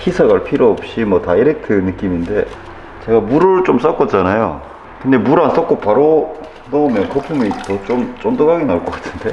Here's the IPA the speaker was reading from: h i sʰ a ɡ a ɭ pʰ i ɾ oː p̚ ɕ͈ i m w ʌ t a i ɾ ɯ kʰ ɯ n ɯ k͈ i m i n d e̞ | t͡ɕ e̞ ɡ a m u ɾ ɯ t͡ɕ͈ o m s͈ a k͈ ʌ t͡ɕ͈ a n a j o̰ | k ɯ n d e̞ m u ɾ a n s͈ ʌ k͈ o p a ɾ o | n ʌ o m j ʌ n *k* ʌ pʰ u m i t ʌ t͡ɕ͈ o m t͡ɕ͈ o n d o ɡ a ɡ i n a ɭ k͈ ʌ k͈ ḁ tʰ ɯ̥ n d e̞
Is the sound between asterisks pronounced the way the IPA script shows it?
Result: yes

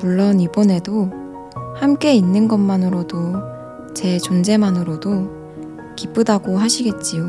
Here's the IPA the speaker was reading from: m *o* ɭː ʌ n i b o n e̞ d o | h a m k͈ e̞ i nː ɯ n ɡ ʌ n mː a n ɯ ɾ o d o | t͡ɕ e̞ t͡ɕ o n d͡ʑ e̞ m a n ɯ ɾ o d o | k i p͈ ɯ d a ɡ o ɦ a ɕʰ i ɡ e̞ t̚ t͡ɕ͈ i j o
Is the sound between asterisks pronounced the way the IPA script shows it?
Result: no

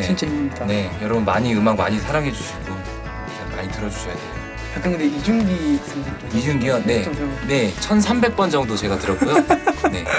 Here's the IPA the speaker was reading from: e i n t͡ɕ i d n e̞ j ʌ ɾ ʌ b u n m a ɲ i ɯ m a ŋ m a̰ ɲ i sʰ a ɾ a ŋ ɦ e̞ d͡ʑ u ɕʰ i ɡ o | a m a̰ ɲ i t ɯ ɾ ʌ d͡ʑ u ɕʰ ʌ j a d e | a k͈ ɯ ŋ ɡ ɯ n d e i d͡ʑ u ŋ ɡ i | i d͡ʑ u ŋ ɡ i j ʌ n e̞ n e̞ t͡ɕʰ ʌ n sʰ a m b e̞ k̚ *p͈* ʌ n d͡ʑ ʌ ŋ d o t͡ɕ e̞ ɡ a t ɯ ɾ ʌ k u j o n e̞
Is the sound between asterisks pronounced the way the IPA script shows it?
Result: yes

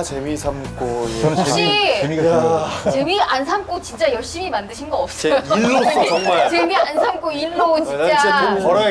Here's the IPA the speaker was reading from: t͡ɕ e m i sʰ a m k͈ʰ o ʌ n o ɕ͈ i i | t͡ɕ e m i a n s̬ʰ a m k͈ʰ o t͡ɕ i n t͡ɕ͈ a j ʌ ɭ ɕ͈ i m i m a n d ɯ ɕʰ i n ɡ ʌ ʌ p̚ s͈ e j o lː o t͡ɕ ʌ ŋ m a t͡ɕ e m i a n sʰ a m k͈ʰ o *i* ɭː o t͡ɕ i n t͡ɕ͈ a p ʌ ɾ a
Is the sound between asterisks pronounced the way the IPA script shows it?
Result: yes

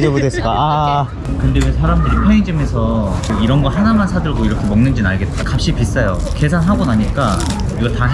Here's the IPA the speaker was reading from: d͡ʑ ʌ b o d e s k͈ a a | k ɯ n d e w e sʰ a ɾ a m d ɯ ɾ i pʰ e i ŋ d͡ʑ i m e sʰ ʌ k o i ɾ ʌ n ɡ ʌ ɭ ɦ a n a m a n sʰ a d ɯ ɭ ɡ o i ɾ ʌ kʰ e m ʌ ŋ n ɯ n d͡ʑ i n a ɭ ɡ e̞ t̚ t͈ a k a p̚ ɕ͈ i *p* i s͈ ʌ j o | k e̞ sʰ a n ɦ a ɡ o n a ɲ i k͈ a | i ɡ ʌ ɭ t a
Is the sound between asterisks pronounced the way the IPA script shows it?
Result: yes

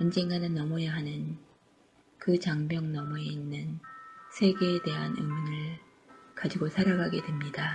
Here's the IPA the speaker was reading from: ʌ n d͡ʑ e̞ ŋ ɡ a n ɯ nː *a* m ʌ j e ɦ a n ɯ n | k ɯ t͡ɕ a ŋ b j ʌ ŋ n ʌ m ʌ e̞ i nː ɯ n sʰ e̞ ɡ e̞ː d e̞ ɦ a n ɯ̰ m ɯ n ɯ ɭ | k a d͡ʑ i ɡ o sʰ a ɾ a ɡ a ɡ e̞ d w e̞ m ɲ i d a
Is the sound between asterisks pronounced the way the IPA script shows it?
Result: no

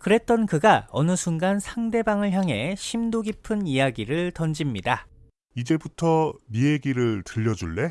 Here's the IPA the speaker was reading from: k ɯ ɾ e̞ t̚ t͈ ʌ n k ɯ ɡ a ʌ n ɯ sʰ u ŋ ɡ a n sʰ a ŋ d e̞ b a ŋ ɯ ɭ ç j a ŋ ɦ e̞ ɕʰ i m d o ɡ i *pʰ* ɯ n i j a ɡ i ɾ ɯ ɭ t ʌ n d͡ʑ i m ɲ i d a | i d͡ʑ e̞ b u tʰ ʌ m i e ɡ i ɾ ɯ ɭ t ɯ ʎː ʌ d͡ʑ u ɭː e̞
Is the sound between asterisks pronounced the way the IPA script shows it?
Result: yes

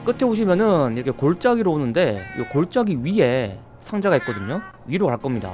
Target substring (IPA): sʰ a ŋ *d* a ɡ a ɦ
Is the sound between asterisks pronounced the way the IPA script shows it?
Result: no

